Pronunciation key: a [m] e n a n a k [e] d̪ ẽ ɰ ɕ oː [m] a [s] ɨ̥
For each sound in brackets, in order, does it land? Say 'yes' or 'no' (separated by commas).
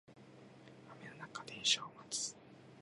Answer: yes, no, yes, no